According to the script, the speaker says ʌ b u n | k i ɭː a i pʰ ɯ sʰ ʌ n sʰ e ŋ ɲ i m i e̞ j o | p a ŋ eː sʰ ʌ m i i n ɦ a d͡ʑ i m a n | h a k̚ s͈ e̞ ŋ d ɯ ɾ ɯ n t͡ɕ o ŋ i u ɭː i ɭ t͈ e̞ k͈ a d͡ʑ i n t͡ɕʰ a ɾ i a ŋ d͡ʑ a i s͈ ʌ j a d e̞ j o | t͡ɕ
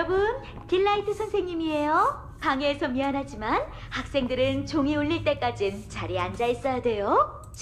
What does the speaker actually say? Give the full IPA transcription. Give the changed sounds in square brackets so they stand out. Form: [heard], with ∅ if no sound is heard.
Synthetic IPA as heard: ʌ b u n | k i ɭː a i [tʰ] ɯ sʰ ʌ n sʰ e ŋ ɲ i m i e̞ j o | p a ŋ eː sʰ ʌ m i [a] n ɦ a d͡ʑ i m a n | h a k̚ s͈ e̞ ŋ d ɯ ɾ ɯ n t͡ɕ o ŋ i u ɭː i ɭ t͈ e̞ k͈ a d͡ʑ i n [t͡ɕ] a ɾ i a [n] d͡ʑ a i s͈ ʌ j a d e̞ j o | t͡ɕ